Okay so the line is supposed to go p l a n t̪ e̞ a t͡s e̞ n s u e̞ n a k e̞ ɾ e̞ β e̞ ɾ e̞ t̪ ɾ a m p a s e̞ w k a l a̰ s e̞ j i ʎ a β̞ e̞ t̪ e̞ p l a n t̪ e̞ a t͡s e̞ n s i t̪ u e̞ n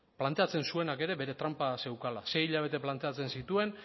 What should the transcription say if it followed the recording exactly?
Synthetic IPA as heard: p l a n t̪ e̞ a t͡s e̞ n s u e̞ n a k e̞ ɾ e̞ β e̞ ɾ e̞ t̪ ɾ a m p a s e̞ w k a l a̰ s e̞ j i ʎ a β̞ e̞ t̪ e̞ p l a n t̪ e̞ a t͡s e̞ n s i t̪ u e̞ n